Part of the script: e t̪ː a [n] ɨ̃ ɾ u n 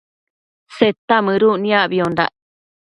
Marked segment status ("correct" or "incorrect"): incorrect